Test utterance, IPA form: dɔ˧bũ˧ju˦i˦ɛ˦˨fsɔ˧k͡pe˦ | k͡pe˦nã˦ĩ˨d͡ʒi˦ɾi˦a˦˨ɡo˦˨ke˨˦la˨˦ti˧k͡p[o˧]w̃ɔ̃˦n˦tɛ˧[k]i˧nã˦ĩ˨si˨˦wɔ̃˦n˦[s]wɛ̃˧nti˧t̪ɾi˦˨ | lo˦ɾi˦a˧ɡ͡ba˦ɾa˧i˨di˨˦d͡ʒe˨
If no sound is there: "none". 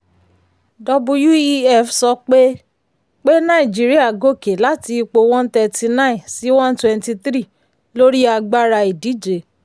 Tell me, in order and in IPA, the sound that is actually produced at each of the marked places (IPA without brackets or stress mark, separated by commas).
o˧, t, t